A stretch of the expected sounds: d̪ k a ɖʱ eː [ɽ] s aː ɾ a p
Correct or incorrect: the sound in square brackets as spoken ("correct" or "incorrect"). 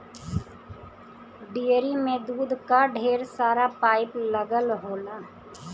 incorrect